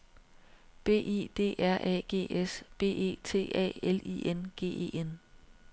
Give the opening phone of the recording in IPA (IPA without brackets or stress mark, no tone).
b̥